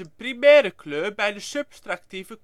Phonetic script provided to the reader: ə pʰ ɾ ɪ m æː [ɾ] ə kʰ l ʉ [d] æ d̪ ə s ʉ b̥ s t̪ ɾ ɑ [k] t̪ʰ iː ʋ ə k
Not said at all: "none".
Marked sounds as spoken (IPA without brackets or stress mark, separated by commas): ɾ, b, k